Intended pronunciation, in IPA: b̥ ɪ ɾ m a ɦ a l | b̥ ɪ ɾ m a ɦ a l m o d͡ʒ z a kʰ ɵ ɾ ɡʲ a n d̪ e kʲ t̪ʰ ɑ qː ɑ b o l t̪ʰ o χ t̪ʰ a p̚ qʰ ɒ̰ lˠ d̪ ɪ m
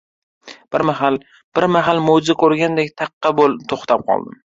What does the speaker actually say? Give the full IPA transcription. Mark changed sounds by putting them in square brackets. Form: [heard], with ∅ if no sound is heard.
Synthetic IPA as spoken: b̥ ɪ ɾ m a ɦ a l | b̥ ɪ ɾ m a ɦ a l m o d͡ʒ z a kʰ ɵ ɾ ɡʲ a n d̪ e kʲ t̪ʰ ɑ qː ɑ b o l t̪ʰ o χ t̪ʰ a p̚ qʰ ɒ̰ lˠ d̪ ɪ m

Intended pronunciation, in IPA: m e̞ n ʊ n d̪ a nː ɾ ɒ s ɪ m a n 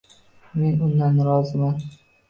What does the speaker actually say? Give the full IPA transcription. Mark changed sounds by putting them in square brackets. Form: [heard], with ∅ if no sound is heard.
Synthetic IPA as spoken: m e̞ n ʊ n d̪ a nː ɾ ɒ [z] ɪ m a n

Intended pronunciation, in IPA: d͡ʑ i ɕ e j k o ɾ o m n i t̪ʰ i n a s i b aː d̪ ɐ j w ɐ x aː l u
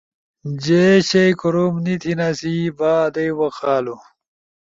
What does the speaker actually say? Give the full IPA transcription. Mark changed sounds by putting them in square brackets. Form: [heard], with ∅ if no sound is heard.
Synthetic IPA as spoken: d͡ʑ [e] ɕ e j k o ɾ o m n i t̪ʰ i n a s i b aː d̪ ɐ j w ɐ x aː l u

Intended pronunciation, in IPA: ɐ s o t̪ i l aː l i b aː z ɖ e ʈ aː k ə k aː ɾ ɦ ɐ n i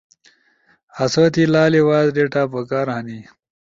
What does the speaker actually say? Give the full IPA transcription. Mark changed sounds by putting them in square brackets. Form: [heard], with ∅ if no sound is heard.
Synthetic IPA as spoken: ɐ s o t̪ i l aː l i [w] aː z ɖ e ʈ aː [p] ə k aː ɾ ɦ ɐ n i

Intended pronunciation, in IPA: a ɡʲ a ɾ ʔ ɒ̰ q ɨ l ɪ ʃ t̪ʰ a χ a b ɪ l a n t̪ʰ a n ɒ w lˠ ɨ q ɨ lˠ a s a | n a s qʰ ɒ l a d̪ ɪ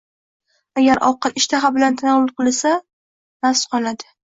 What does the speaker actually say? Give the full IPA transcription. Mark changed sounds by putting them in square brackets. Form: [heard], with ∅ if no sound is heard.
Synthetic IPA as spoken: a ɡʲ a ɾ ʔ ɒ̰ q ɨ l ɪ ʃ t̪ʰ a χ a b ɪ l a n t̪ʰ a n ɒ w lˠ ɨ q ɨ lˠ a s a | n a s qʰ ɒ l a d̪ ɪ

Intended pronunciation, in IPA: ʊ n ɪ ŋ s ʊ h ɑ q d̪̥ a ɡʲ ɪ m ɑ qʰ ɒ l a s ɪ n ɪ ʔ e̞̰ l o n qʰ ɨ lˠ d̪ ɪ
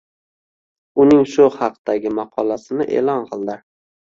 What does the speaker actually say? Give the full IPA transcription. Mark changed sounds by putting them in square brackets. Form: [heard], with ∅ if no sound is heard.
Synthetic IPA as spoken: ʊ n ɪ ŋ [ʃ] ʊ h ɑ q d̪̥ a ɡʲ ɪ m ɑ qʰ ɒ l a s ɪ n ɪ ʔ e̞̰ l [ɒ] n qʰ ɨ lˠ d̪ ɪ

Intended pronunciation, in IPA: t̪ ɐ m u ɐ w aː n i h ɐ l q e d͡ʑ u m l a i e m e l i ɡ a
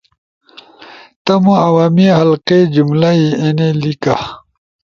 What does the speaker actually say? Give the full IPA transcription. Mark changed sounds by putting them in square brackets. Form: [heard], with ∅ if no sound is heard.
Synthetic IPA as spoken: t̪ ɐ m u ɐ w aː [m] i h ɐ l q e d͡ʑ u m l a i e [n] e l i [k] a

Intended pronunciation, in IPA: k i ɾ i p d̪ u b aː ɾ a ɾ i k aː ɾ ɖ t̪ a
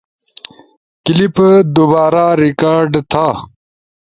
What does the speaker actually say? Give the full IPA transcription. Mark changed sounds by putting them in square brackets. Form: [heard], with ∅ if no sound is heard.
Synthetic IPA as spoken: k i [l] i p d̪ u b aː ɾ a ɾ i k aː ɾ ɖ [t̪ʰ] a

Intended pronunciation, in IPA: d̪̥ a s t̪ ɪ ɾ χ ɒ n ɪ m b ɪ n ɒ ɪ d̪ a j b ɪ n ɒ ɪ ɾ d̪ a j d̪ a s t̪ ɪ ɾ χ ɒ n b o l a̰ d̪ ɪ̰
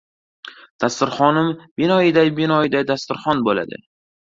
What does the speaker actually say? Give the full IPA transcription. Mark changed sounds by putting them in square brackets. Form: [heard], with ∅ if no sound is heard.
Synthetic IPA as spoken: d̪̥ a s t̪ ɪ ɾ χ ɒ n ɪ m b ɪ n ɒ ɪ d̪ a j b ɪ n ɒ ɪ [∅] d̪ a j d̪ a s t̪ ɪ ɾ χ ɒ n b o l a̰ d̪ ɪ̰

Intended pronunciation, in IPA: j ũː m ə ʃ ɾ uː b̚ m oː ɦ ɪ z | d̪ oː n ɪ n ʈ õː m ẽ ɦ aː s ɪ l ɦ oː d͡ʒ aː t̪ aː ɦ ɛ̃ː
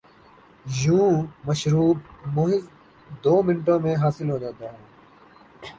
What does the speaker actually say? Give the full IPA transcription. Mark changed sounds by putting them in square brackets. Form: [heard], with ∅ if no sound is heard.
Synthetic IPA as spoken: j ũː m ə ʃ ɾ uː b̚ m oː ɦ ɪ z | d̪ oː [m] ɪ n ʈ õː m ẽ ɦ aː s ɪ l ɦ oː d͡ʒ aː t̪ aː ɦ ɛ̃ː

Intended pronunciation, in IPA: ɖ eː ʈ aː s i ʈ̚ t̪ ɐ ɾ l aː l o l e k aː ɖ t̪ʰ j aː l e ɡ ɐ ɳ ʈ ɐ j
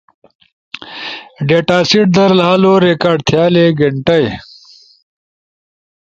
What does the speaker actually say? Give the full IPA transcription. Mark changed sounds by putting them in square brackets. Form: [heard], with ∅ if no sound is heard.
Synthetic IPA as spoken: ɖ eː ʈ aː s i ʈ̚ [d̪] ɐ ɾ l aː l o [ɾ] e k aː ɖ t̪ʰ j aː l e ɡ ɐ ɳ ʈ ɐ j

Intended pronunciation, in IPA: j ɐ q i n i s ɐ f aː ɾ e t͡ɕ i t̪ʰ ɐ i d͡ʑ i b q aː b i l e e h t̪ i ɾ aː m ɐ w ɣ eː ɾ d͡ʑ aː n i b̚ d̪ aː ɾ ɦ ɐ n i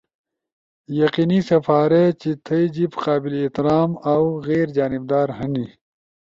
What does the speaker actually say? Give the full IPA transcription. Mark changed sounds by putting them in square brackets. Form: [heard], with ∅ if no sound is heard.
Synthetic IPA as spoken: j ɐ q i n i s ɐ f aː ɾ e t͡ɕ i t̪ʰ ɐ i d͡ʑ i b q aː b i l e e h t̪ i ɾ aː m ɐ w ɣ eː ɾ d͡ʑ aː n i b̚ d̪ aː ɾ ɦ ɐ n i

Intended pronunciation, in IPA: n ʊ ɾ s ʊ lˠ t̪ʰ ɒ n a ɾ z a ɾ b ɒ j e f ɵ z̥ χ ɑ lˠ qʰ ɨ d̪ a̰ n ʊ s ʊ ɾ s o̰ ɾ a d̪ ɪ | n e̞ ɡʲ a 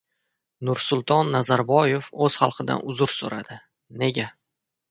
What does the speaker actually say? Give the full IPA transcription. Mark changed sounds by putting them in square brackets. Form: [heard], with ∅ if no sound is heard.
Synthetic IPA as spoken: n ʊ ɾ s ʊ lˠ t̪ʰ ɒ [nː] a [∅] z a ɾ b ɒ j e f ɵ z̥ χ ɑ lˠ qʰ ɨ d̪ a̰ n ʊ [z] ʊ ɾ s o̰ ɾ a d̪ ɪ | n e̞ ɡʲ a

